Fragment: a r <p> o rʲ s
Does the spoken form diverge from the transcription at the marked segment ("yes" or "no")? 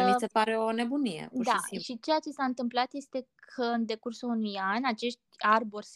yes